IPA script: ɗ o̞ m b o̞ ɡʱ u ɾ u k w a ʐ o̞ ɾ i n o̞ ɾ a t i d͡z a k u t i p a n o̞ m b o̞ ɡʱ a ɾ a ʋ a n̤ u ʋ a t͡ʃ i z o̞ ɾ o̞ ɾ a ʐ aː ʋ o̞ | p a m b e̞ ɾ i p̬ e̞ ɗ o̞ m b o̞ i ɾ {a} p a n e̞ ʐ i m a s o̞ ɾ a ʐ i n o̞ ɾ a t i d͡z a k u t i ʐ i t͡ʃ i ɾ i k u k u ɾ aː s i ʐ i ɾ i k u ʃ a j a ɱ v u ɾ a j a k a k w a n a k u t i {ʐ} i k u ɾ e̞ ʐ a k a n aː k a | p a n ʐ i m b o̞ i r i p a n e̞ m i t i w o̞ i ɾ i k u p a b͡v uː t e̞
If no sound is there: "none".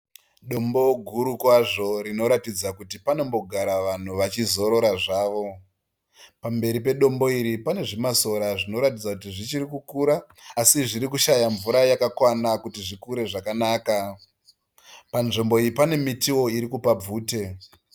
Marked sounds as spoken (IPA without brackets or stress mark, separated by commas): i, ʐ